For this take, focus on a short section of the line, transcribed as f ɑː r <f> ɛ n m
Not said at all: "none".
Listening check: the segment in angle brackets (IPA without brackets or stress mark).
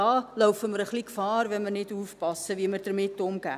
v